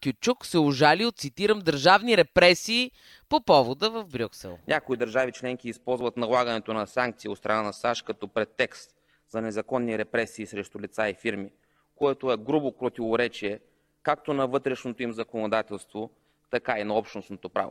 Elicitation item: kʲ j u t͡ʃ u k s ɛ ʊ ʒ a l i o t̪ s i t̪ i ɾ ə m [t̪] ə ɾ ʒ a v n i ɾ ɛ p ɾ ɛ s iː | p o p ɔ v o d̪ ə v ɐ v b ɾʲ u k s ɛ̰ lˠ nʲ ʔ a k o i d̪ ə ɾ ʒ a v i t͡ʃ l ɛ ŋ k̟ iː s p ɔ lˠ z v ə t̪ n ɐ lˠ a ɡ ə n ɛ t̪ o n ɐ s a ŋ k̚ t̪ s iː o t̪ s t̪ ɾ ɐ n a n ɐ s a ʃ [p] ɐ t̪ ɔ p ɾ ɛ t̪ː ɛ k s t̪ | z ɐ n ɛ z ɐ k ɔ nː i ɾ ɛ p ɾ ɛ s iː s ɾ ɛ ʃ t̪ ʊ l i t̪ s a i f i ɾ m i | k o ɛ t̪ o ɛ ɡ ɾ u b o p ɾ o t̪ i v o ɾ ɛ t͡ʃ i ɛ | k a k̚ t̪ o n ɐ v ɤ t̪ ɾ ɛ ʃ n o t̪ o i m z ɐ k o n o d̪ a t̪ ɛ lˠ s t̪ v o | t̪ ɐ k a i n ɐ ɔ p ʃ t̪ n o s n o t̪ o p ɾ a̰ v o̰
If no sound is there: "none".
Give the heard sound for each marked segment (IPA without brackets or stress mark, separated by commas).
d̪, k